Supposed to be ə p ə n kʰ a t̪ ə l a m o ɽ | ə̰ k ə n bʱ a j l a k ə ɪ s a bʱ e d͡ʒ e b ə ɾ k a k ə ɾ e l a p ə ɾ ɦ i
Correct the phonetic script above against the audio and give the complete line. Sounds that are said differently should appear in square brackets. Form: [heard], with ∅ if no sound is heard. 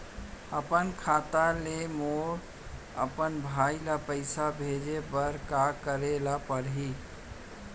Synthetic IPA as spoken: ə p ə n kʰ a t̪ [a] l [e] m o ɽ | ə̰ [p] ə n bʱ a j l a [p] ə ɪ s a bʱ e d͡ʒ e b ə ɾ k a k ə ɾ e l a p ə ɾ ɦ i